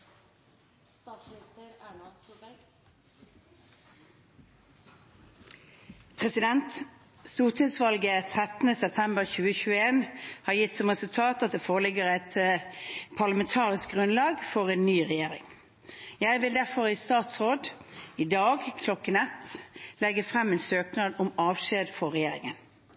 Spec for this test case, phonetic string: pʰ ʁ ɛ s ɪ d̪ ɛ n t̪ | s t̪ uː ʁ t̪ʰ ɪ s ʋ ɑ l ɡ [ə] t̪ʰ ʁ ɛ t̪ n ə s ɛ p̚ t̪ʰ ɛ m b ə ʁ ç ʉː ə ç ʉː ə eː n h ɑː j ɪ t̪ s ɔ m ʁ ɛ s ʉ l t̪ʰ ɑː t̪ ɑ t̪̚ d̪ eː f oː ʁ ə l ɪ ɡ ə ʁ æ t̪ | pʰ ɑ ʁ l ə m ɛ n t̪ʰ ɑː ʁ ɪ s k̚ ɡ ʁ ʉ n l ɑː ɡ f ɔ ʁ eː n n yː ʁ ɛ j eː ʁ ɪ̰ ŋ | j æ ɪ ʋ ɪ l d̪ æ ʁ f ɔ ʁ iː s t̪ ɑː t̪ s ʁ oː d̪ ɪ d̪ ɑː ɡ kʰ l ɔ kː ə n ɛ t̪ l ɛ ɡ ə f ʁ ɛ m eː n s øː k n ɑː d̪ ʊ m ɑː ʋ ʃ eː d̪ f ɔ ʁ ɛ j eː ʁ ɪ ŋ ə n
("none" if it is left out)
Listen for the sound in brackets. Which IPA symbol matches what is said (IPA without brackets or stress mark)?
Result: ə